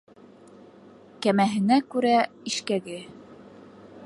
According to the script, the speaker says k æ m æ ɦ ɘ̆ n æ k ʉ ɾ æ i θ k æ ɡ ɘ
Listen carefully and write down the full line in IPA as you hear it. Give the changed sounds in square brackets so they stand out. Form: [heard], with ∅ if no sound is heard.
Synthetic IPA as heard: k æ m æ ɦ ɘ̆ n æ k ʉ ɾ æ i [ʃ] k æ ɡ ɘ